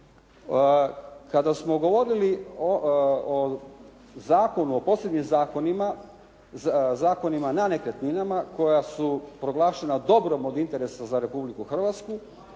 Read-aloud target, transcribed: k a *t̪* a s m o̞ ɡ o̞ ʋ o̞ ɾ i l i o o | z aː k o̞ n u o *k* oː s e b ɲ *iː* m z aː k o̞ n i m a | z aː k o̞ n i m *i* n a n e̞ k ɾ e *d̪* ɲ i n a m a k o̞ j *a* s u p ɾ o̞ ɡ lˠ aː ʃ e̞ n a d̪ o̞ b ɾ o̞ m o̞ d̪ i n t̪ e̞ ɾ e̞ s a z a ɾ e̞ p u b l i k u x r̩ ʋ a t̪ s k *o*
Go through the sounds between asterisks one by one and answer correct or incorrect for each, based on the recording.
incorrect, incorrect, incorrect, incorrect, incorrect, correct, incorrect

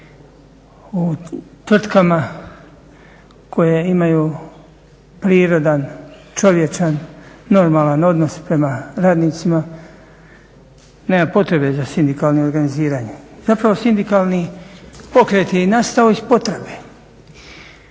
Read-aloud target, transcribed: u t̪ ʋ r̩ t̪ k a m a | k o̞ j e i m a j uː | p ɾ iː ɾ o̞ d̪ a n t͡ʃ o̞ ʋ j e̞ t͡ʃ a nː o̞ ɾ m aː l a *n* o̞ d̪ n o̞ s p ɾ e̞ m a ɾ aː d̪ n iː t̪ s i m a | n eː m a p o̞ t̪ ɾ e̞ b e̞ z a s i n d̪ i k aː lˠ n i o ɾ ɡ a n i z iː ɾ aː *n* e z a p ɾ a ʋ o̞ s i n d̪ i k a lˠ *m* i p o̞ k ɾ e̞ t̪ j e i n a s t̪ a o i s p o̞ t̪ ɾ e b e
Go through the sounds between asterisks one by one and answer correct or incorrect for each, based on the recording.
correct, incorrect, incorrect

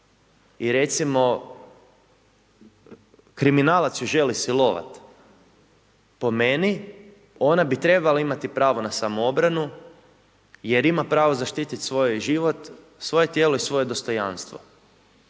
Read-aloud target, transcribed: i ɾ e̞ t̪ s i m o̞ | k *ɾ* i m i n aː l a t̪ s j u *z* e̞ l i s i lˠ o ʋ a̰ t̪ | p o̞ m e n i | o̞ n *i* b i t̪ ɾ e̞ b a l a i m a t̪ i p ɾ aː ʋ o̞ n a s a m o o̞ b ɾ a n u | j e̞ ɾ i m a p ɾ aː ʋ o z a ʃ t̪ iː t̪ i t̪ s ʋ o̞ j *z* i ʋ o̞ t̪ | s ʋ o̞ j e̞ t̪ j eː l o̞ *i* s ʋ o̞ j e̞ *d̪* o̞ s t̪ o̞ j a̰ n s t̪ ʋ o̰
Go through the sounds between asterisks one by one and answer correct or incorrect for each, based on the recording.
correct, incorrect, incorrect, incorrect, correct, correct

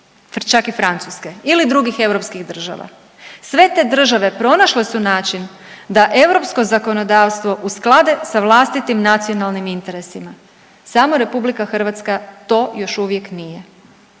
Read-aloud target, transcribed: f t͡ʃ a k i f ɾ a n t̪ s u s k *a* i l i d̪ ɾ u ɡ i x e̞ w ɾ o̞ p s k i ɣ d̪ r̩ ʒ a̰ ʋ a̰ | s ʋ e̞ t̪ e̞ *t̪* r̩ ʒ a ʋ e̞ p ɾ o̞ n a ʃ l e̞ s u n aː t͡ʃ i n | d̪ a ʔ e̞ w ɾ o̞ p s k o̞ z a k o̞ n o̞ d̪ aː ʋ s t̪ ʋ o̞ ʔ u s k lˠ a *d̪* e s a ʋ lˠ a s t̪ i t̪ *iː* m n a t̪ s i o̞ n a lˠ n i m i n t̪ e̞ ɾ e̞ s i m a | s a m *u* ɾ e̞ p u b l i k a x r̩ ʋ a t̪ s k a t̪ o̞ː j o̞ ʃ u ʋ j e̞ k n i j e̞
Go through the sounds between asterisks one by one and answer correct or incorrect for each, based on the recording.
incorrect, incorrect, correct, incorrect, incorrect

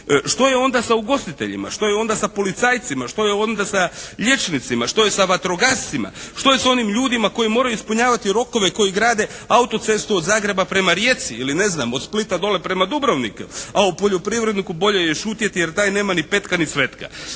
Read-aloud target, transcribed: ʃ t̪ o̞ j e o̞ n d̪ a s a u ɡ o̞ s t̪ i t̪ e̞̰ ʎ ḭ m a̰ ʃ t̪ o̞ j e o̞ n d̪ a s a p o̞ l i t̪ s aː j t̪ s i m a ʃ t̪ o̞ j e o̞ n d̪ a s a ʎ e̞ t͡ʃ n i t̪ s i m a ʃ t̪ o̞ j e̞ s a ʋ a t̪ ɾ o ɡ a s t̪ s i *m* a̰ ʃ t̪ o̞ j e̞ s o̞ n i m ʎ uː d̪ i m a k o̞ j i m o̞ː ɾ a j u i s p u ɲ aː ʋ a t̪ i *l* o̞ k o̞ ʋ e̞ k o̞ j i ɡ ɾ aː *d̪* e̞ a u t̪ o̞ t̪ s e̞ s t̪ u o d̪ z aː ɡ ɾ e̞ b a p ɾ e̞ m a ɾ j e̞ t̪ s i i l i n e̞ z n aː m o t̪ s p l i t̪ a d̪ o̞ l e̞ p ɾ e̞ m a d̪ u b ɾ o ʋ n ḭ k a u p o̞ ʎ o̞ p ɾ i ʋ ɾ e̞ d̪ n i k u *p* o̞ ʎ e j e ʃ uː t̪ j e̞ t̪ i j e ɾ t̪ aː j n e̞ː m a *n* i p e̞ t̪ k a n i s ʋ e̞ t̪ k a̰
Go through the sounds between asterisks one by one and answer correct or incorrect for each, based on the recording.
correct, incorrect, correct, incorrect, correct

